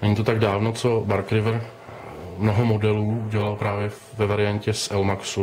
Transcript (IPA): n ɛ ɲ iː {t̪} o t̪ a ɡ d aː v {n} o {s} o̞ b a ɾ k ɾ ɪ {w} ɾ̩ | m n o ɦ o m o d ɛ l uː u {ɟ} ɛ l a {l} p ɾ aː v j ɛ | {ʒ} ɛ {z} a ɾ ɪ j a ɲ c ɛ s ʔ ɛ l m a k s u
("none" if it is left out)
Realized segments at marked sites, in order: t̪, n, t͡s, v, ɟ, l, v, v

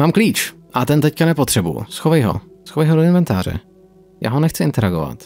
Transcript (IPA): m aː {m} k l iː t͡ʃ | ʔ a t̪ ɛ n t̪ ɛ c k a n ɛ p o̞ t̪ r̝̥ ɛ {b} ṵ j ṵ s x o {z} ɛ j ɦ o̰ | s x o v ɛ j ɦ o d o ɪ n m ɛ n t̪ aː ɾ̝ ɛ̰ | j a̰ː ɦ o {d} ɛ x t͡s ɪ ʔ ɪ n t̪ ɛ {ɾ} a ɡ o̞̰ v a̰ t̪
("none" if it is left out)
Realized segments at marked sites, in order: m, b, v, n, ɾ

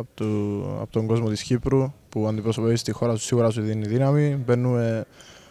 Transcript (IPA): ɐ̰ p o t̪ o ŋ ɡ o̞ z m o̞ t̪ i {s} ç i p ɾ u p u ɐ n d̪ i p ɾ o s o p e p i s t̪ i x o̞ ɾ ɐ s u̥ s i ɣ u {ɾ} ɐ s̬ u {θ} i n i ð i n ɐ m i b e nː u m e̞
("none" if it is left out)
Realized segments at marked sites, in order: s, ɾ, ð

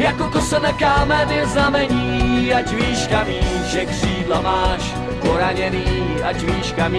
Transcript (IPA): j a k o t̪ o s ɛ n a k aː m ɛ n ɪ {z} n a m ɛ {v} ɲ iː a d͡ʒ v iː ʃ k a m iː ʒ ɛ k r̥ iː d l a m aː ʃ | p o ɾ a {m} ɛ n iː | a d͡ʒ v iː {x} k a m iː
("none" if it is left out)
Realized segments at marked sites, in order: z, none, ɲ, ʃ

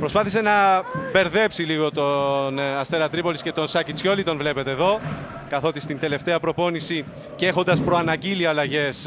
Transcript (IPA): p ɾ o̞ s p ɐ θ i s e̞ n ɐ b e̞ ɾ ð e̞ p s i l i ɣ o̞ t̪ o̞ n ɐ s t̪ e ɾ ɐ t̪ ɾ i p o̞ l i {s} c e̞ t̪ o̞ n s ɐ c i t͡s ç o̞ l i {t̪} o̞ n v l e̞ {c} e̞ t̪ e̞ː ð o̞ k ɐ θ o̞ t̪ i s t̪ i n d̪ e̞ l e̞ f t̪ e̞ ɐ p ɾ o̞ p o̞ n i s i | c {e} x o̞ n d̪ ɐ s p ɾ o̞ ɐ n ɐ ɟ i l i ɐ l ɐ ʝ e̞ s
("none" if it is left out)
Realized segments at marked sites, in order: s, t̪, p, e

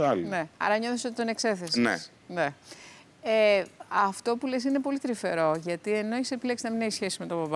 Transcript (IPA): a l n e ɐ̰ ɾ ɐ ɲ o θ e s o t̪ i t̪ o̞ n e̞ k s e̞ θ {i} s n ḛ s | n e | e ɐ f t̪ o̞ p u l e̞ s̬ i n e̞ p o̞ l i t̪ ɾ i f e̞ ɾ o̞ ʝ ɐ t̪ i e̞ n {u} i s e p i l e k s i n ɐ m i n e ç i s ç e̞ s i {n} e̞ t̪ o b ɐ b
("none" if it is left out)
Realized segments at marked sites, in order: e, o, m

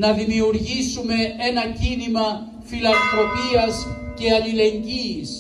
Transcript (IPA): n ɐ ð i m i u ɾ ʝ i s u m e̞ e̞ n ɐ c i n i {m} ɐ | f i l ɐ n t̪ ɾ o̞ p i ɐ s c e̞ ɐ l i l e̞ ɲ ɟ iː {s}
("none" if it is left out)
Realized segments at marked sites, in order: m, s

